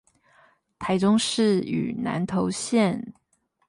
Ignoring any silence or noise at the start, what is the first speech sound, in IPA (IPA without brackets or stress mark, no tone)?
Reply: t̪ʰ